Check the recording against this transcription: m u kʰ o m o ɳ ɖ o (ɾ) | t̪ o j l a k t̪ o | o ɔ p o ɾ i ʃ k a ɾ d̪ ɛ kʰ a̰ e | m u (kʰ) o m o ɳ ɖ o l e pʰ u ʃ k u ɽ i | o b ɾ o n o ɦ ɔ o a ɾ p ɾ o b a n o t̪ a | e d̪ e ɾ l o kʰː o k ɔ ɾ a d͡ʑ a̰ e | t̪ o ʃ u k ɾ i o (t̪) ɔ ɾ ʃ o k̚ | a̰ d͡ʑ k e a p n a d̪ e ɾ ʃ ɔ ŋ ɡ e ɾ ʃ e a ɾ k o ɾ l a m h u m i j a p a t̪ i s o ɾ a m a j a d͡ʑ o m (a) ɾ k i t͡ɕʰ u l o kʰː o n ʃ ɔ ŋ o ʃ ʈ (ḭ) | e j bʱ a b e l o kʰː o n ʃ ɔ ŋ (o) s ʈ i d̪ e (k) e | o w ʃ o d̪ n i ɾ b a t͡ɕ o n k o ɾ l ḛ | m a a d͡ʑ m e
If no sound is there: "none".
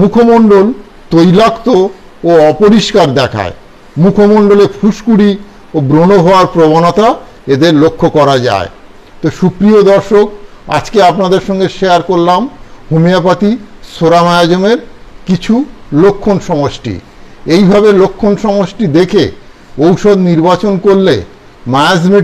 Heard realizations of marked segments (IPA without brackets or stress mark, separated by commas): l, kʰ, d̪, e, ḭ, o, kʰ